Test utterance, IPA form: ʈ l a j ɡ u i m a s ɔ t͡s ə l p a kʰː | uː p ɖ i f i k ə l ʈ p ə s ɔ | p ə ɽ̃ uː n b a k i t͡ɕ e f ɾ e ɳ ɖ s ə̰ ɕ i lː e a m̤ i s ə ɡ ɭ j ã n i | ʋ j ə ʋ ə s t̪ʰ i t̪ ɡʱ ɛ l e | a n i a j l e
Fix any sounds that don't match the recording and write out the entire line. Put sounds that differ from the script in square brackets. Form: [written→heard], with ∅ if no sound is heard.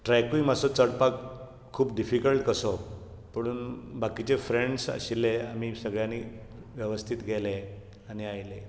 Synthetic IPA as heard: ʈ [l→ɾ] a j [ɡ→k] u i m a s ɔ t͡s ə [l→ɽ] p a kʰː | uː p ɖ i f i k ə l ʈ [p→k] ə s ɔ | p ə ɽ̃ uː n b a k i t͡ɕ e f ɾ e ɳ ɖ s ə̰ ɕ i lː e a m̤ i s ə ɡ ɭ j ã n i | ʋ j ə ʋ ə s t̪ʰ i t̪ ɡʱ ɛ l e | a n i a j l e

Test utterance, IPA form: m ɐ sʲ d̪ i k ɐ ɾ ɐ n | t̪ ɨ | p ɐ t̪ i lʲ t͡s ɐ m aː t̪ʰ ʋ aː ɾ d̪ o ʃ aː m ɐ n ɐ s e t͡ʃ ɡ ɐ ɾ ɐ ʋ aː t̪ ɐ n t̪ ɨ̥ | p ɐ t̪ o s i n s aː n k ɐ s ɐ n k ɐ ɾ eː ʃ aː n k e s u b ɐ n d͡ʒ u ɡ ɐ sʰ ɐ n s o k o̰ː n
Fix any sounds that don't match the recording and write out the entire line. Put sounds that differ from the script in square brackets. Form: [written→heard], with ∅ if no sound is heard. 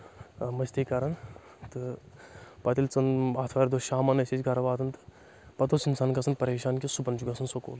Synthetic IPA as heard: m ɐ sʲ [d̪→t̪] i k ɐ ɾ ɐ n | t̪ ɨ | p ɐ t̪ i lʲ t͡s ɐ [m→n] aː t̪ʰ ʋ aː ɾ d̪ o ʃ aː m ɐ n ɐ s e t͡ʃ ɡ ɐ ɾ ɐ ʋ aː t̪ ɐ n t̪ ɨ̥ | p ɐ t̪ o s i n s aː n k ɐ s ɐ n [k→p] ɐ ɾ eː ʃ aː n k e s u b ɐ n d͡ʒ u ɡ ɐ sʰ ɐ n s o k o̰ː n

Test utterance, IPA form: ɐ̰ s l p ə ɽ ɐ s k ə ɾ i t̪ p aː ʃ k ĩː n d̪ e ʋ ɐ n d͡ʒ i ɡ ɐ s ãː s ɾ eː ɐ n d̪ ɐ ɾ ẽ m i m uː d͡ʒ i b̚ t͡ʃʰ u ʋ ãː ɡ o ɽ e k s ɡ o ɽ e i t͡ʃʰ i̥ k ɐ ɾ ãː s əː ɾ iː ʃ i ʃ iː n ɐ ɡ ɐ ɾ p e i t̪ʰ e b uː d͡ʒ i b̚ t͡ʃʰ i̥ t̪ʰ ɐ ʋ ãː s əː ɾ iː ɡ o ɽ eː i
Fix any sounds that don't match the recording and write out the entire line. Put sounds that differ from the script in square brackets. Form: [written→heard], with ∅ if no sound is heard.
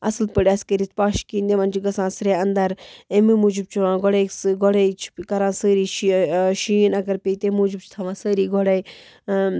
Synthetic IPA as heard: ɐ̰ s l p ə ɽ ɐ s k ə ɾ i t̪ p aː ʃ k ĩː n d̪ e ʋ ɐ n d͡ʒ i ɡ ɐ s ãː s ɾ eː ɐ n d̪ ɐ ɾ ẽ m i m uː d͡ʒ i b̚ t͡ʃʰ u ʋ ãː ɡ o ɽ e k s ɡ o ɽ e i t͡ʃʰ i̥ k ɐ ɾ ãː s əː ɾ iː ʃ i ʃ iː n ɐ ɡ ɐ ɾ p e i [t̪ʰ→t̪] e [b→m] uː d͡ʒ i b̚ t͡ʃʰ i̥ t̪ʰ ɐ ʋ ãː s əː ɾ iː ɡ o ɽ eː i

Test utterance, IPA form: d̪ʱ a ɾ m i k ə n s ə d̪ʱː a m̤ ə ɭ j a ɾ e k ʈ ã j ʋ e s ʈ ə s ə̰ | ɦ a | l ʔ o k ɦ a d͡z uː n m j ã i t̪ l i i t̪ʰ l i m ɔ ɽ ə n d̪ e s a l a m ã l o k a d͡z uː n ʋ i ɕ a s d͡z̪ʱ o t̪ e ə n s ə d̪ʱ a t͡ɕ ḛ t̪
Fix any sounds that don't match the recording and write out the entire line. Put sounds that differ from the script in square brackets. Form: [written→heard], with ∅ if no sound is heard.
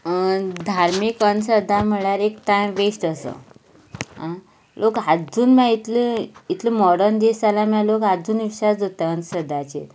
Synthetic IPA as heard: d̪ʱ a ɾ m i k ə n s ə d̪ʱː a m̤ ə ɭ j a ɾ e k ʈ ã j ʋ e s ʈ ə s ə̰ | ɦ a | l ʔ o k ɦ a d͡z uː n m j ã i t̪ l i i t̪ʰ l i m ɔ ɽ ə n d̪ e s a l a m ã l o k a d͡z uː n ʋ i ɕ a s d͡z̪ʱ o t̪ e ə n s ə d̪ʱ a t͡ɕ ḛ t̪

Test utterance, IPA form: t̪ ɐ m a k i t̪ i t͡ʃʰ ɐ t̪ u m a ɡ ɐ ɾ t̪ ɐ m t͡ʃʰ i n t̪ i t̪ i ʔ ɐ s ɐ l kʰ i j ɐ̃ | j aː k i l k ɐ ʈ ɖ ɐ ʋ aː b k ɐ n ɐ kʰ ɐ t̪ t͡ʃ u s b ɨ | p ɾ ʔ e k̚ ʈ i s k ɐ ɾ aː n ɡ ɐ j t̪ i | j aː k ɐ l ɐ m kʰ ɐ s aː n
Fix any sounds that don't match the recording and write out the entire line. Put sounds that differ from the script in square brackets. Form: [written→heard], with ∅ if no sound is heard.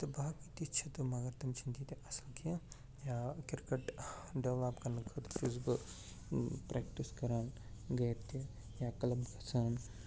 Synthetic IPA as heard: t̪ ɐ [m→b] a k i t̪ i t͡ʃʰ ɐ t̪ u m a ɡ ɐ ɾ t̪ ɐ m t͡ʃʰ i n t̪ i t̪ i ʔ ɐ s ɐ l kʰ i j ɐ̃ | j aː k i [l→ɾ] k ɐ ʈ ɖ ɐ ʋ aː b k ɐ n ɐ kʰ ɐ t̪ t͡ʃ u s b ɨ | p ɾ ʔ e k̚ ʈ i s k ɐ ɾ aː n ɡ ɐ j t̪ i | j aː k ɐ l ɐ m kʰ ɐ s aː n

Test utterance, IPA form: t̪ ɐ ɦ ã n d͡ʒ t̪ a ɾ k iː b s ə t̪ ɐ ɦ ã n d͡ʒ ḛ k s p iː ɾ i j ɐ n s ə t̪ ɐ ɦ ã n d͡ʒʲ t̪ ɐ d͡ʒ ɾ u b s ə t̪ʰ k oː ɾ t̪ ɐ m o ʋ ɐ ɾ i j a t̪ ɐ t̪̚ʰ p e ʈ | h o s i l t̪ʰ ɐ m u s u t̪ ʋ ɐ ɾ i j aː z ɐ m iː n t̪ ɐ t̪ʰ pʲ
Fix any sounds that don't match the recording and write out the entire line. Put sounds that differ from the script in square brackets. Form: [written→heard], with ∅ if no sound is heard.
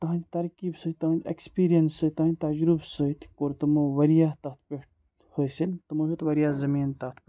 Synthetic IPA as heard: t̪ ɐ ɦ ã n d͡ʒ t̪ [a→ɐ] ɾ k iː b s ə t̪ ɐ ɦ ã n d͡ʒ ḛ k s p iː ɾ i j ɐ n s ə t̪ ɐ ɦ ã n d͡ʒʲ t̪ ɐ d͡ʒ ɾ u b s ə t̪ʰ k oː ɾ t̪ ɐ m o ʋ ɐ ɾ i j a t̪ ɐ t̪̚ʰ p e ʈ | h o s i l [t̪ʰ→t̪] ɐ m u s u t̪ ʋ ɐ ɾ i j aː z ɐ m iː n t̪ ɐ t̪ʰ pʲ

